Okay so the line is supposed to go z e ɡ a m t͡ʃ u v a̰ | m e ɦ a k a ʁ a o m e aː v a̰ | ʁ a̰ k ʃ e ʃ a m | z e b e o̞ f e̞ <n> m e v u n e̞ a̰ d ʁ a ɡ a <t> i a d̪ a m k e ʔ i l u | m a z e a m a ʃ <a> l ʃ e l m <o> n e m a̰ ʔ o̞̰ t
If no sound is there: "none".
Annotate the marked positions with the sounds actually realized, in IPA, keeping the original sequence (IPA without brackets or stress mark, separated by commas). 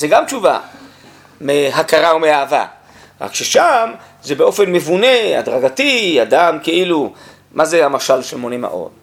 n, t, a, o